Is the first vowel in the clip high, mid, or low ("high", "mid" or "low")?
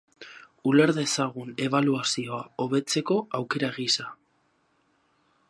high